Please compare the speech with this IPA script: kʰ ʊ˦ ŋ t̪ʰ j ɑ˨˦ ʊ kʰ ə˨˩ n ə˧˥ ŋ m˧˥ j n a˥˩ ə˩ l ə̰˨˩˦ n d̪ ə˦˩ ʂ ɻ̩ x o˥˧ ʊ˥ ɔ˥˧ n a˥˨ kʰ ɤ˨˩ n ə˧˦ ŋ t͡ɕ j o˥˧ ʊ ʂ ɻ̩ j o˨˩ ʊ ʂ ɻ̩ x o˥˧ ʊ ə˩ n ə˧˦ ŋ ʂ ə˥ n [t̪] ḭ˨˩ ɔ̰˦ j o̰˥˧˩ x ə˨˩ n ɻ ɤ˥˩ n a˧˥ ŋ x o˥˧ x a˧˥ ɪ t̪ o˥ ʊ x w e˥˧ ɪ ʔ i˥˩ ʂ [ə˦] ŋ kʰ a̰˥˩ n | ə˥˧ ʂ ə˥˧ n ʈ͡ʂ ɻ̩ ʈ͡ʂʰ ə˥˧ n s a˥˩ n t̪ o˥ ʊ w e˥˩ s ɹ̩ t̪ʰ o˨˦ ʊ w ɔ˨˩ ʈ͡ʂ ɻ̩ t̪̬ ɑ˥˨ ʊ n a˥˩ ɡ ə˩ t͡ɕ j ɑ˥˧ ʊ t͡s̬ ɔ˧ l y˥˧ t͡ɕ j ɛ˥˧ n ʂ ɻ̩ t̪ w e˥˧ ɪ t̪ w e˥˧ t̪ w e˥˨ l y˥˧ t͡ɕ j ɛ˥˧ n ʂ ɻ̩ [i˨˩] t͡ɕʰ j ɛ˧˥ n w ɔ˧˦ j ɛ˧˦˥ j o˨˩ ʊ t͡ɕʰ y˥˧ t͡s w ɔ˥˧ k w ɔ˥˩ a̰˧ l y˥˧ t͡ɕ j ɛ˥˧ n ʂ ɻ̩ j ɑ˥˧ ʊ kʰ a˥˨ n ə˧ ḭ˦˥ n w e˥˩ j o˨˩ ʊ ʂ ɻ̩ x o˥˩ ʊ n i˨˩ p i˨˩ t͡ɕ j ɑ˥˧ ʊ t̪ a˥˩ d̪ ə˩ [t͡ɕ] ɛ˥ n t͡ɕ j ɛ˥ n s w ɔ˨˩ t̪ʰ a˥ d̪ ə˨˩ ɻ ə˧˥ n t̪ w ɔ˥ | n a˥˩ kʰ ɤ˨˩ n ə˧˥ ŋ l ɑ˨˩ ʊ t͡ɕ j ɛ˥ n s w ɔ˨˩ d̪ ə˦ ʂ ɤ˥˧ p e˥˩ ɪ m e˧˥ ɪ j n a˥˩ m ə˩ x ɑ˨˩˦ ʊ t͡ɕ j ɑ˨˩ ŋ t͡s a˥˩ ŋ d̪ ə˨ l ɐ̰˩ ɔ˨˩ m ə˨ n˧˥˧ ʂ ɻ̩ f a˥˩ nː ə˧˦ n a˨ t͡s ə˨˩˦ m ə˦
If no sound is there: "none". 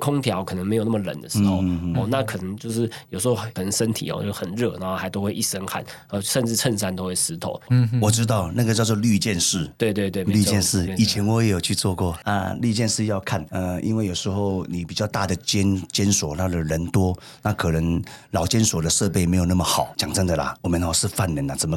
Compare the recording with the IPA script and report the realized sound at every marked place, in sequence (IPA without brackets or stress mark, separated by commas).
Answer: t̪ʰ, ə˦, i˨˩, t͡ɕ